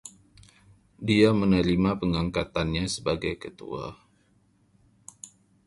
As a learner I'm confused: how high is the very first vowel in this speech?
high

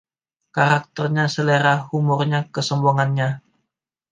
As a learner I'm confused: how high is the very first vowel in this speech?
low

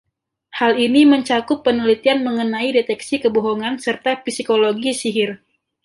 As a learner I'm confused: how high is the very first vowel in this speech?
low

